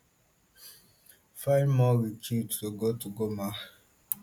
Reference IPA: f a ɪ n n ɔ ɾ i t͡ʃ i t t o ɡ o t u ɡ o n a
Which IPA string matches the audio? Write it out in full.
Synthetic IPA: f a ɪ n m ɔ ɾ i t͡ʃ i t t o ɡ o t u ɡ o m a